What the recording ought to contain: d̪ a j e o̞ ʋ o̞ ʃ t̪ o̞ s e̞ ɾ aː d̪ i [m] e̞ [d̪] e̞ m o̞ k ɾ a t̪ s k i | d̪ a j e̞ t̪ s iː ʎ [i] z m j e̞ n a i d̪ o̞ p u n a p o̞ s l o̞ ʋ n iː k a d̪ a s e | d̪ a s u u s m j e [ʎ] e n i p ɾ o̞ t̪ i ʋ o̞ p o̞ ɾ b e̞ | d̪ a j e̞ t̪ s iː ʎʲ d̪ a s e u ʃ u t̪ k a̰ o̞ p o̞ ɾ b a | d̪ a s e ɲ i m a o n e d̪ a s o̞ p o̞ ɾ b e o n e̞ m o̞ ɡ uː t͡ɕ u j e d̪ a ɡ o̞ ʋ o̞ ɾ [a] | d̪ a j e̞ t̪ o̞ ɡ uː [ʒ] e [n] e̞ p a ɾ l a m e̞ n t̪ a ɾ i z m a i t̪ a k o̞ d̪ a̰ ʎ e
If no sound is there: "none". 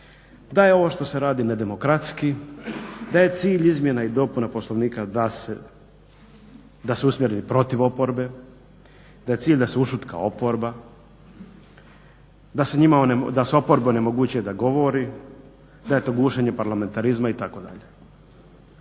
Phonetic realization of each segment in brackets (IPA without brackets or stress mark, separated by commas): n, d̪, i, ɾ, i, ʃ, ɲ